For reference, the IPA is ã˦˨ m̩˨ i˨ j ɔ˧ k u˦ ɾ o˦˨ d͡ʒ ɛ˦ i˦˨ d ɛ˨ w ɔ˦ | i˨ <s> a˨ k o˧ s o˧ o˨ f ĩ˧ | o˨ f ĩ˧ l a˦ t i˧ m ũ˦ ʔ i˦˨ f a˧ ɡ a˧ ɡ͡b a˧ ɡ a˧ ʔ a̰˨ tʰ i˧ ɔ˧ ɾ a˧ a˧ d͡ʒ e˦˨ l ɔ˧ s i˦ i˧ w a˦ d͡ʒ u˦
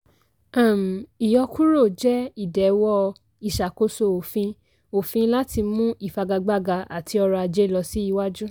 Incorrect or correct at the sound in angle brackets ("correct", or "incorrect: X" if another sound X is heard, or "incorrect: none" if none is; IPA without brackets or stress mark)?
incorrect: ʃ